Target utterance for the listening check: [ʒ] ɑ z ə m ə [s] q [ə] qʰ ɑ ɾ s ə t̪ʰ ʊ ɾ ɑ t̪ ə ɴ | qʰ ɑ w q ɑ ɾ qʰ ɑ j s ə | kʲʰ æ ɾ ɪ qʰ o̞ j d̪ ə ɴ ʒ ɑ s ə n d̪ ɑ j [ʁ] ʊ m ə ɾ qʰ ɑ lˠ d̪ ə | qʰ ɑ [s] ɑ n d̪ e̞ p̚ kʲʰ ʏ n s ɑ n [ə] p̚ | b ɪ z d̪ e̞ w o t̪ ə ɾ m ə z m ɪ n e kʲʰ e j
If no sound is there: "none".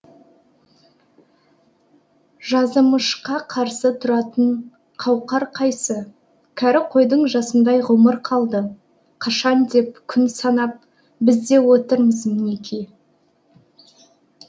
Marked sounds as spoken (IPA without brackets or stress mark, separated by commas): ʒ, ʃ, ɑ, ʁ, ʃ, ɑ